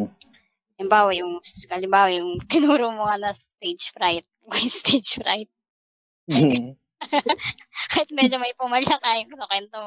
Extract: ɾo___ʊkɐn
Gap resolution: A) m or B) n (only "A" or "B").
A